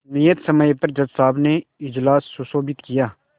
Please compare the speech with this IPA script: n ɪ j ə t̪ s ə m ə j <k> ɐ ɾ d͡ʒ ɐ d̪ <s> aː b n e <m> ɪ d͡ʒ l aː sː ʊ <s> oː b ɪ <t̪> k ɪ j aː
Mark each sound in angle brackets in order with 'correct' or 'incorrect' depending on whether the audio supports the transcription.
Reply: incorrect: p, correct, incorrect: none, correct, correct

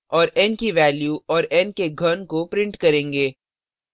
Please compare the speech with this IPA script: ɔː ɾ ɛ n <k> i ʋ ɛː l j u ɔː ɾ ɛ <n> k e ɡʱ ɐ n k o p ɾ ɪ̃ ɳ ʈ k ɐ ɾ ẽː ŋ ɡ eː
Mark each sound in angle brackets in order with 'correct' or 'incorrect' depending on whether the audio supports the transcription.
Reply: correct, correct

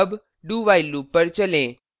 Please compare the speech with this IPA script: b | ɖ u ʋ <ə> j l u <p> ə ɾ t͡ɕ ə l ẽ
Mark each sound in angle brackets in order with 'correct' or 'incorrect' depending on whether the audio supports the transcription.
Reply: incorrect: a, correct

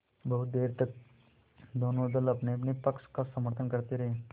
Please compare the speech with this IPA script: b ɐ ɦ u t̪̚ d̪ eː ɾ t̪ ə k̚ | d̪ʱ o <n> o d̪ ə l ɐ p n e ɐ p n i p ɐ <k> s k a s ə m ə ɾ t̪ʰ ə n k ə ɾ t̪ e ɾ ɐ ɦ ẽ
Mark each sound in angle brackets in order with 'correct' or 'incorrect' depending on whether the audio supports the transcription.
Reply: correct, correct

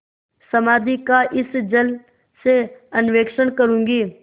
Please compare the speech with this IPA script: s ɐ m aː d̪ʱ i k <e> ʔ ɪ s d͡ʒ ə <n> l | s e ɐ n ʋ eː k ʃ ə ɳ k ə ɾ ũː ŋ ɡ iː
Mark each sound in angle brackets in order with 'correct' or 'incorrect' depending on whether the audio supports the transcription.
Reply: incorrect: a, incorrect: none

